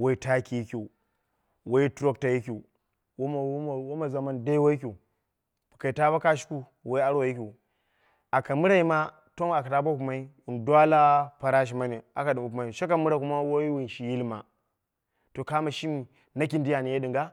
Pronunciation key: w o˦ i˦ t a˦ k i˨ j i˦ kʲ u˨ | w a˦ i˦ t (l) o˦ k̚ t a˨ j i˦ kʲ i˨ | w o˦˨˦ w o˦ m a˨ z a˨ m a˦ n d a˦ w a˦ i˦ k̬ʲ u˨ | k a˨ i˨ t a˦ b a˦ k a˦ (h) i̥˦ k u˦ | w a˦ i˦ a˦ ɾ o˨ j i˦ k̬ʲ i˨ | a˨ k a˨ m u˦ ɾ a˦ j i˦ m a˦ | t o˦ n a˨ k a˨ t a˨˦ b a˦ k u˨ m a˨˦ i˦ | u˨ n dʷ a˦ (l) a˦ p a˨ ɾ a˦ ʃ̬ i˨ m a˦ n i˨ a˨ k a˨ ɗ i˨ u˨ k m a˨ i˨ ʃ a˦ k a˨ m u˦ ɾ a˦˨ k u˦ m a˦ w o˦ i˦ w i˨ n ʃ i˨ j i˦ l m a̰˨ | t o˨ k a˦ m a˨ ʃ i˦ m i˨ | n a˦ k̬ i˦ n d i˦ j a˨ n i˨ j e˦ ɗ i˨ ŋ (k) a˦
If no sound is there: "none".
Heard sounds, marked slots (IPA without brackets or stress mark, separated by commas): ɾ, ʃ, l, ɡ